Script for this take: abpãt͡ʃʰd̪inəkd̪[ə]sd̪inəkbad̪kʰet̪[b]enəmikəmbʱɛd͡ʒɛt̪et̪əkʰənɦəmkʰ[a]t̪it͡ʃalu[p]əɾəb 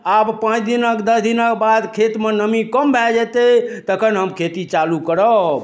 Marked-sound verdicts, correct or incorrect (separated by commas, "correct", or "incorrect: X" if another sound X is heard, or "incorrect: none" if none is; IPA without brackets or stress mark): correct, incorrect: m, incorrect: e, incorrect: k